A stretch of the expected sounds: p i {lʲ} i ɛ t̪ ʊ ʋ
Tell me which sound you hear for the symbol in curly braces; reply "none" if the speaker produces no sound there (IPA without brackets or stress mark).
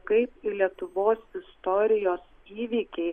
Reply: lʲ